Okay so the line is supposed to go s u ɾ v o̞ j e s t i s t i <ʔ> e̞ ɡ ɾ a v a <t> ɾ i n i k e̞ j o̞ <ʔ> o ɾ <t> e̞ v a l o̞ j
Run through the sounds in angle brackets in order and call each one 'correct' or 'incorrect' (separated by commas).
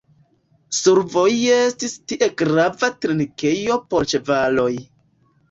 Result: correct, correct, incorrect, incorrect